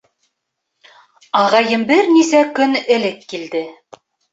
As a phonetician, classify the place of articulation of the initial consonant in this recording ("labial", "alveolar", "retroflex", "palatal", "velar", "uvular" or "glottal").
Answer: uvular